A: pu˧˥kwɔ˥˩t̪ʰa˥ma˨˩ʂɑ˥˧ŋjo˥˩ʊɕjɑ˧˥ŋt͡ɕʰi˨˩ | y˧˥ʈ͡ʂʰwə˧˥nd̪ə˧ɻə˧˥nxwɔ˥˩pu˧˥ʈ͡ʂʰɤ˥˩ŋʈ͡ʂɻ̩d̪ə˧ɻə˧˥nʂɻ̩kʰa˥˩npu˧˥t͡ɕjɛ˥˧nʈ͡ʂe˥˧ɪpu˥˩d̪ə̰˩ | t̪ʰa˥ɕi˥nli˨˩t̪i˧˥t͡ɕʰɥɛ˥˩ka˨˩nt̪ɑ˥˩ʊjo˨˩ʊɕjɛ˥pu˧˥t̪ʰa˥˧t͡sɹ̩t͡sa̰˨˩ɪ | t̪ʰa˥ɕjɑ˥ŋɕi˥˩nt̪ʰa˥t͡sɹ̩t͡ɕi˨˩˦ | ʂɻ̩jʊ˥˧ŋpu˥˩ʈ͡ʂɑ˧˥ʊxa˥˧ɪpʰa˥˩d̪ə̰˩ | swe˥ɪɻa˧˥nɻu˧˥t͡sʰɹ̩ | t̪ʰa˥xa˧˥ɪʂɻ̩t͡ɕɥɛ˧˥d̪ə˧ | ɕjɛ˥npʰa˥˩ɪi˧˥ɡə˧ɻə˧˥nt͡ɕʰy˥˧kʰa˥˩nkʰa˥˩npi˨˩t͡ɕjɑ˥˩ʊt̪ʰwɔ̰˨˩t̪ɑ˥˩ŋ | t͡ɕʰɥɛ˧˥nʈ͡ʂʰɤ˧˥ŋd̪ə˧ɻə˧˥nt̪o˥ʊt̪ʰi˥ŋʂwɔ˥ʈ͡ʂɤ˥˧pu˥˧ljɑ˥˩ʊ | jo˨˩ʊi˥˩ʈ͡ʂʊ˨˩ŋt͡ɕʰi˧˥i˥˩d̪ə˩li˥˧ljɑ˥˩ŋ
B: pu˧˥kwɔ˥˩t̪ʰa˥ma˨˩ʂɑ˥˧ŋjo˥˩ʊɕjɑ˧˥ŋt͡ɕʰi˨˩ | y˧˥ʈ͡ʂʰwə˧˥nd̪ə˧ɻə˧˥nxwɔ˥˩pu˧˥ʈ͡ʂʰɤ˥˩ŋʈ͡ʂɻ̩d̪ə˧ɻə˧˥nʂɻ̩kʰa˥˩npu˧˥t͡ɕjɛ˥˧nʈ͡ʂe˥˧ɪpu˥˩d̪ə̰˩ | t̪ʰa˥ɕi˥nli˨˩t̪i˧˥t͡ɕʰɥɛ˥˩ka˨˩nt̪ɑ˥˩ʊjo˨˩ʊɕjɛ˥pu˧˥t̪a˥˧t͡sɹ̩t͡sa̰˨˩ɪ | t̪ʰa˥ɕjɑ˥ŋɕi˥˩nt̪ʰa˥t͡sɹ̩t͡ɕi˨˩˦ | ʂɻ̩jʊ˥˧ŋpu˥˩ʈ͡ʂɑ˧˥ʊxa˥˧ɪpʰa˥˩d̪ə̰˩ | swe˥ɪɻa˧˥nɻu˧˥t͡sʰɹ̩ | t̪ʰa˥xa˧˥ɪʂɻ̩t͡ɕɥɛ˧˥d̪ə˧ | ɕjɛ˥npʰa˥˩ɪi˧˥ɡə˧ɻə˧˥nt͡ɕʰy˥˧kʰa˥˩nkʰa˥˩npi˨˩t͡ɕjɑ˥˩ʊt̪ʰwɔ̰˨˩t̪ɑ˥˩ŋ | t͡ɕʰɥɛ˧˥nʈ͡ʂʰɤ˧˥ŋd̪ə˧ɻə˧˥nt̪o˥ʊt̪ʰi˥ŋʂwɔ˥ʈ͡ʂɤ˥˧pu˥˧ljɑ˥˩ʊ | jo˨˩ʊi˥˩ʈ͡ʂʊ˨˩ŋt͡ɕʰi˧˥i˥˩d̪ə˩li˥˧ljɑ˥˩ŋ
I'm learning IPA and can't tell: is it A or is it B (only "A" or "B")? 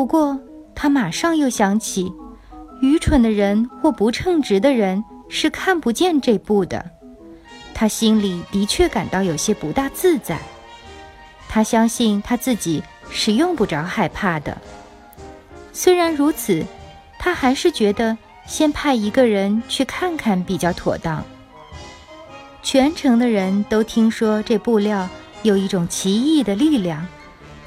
B